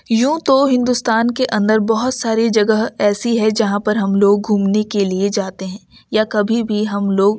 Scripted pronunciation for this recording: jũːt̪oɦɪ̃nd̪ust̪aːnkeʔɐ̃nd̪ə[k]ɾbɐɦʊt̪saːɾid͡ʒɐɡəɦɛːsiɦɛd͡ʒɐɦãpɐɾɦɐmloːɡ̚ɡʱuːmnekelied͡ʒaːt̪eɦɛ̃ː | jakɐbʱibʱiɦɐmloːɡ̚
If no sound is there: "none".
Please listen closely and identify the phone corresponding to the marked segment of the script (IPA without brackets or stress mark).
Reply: none